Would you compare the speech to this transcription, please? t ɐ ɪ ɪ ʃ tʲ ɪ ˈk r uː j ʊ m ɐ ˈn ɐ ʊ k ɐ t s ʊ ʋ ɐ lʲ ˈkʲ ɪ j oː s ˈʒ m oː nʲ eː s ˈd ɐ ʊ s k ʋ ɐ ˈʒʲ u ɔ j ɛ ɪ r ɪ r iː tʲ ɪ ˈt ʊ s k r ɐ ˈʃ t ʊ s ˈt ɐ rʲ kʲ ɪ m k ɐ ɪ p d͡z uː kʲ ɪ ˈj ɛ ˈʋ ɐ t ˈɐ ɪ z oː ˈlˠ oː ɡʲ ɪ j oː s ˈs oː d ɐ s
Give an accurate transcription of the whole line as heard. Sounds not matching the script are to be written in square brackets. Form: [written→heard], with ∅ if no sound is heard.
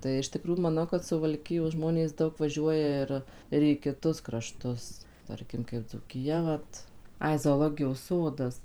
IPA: t ɐ ɪ ɪ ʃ tʲ ɪ ˈk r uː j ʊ m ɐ ˈn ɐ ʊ k ɐ t s ʊ ʋ ɐ lʲ ˈkʲ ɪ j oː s ˈʒ m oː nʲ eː s ˈd ɐ ʊ [s→∅] k ʋ ɐ ˈʒʲ u ɔ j ɛ ɪ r ɪ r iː [tʲ→kʲ] ɪ ˈt ʊ s k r ɐ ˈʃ t ʊ s ˈt ɐ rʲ kʲ ɪ m k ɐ ɪ p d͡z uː kʲ ɪ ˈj ɛ ˈʋ ɐ t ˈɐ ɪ z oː ˈlˠ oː ɡʲ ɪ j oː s ˈs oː d ɐ s